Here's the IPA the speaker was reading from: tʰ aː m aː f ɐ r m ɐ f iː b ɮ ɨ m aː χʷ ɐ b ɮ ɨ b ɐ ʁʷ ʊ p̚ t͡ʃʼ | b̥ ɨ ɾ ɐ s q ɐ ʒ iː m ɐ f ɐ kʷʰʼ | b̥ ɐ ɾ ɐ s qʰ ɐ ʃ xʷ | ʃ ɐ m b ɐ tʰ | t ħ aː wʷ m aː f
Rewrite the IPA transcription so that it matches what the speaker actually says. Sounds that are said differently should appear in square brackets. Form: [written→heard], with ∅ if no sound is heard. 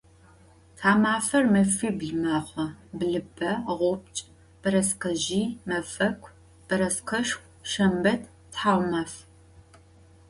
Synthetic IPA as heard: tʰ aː m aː f ɐ r m ɐ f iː b ɮ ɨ m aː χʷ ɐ b ɮ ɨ b ɐ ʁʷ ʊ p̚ t͡ʃʼ | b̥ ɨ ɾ ɐ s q ɐ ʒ iː m ɐ f ɐ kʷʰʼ | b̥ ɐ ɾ ɐ s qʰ ɐ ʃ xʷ | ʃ ɐ m b ɐ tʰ | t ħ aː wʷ m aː f